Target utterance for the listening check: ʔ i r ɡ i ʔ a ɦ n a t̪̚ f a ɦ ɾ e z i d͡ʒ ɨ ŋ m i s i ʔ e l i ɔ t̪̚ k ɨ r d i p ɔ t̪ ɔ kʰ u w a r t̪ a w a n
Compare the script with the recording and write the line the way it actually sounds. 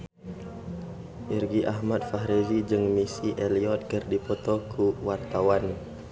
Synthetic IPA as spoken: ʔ i r ɡ i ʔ a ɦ m a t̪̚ f a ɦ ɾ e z i d͡ʒ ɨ ŋ m i s i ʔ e l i ɔ t̪̚ k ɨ r d i p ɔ t̪ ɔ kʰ u w a r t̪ a w a n